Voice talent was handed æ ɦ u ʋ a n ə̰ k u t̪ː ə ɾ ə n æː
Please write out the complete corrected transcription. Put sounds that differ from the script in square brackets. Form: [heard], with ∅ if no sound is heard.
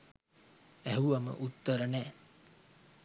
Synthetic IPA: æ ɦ u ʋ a [m] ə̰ [ʔ] u t̪ː ə ɾ ə n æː

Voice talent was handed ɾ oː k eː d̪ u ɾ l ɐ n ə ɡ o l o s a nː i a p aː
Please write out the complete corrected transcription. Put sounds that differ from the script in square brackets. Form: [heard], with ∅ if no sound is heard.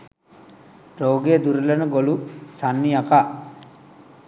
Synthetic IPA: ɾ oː [ɡ] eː d̪ u ɾ l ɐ n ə ɡ o l [u] s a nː i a [k] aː

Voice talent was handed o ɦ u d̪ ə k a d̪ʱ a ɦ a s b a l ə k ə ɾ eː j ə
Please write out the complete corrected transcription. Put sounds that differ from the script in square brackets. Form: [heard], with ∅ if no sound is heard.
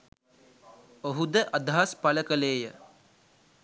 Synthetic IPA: o ɦ u d̪ ə [ʔ] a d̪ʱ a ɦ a s [p] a l ə k ə [l] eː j ə

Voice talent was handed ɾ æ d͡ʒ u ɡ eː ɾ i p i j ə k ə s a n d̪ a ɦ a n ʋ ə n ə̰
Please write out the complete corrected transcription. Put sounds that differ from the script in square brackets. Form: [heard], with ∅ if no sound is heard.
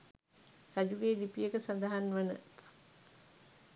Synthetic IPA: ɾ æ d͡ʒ u ɡ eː [l] i p i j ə k ə s a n d̪ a ɦ a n ʋ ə n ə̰

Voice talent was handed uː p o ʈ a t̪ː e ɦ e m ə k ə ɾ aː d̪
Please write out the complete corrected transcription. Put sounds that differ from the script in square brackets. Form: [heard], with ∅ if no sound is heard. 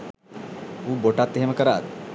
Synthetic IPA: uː [b] o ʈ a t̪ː e ɦ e m ə k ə ɾ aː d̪

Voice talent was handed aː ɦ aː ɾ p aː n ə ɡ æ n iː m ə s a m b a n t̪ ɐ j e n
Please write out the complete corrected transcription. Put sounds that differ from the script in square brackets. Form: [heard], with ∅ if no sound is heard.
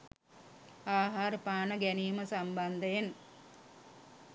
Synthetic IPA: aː ɦ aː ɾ p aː n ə ɡ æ n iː m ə s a m b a n [d̪] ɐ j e n

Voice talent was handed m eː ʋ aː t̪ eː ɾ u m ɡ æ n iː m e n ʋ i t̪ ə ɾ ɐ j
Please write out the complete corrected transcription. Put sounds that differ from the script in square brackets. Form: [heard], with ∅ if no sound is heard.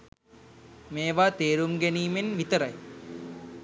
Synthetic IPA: m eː ʋ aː t̪ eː ɾ u m ɡ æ n iː m e n ʋ i t̪ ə ɾ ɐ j

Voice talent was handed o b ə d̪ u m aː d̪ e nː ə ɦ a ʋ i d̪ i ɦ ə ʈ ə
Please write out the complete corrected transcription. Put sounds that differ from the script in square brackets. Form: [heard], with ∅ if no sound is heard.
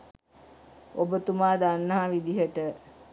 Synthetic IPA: o b ə [t̪] u m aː d̪ [a] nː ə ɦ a ʋ i d̪ i ɦ ə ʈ ə

